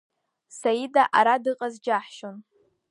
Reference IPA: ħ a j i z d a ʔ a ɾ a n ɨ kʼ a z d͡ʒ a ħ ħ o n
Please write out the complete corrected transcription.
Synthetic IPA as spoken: s a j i d a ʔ a ɾ a d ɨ qʼ a z d͡ʒ a ħ ʃ o n